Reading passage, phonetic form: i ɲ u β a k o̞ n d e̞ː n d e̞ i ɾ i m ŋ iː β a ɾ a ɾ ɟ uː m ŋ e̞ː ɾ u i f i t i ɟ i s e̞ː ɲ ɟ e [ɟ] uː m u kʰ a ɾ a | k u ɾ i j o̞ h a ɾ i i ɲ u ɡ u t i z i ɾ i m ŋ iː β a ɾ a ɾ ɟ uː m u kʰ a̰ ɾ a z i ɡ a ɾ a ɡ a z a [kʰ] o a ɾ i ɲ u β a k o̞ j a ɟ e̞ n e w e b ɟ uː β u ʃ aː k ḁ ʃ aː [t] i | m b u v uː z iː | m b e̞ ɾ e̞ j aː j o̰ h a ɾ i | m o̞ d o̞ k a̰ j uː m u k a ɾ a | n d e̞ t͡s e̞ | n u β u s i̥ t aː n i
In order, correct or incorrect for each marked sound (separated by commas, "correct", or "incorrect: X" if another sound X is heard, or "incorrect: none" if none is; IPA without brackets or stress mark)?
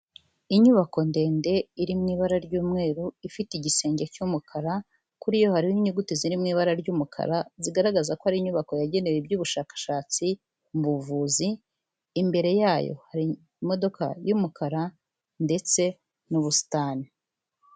incorrect: c, incorrect: k, incorrect: t͡s